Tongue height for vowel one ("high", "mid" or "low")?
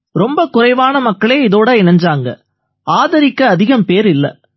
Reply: mid